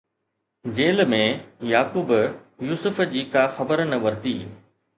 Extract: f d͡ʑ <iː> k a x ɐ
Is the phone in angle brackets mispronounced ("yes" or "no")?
no